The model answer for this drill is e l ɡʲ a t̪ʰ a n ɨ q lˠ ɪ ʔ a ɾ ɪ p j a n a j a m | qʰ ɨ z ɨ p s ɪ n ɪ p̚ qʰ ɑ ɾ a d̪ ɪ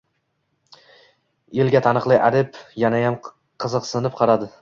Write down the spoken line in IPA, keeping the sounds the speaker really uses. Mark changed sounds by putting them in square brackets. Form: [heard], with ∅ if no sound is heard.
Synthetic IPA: e l ɡʲ a t̪ʰ a n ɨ q lˠ ɪ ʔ a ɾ ɪ p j a n a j a m | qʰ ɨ z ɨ [q] s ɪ n ɪ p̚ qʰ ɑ ɾ a d̪ ɪ